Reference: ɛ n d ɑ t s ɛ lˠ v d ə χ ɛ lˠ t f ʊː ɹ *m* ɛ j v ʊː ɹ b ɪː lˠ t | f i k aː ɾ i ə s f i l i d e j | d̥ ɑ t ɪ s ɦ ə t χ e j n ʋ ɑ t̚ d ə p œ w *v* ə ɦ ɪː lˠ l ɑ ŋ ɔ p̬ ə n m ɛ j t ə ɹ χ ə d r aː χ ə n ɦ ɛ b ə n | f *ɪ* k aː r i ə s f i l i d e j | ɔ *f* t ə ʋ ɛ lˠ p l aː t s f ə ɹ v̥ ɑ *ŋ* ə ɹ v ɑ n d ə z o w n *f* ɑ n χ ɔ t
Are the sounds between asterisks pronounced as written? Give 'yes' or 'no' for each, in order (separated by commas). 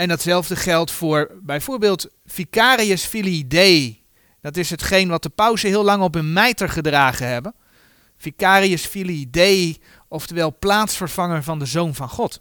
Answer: no, no, no, yes, yes, no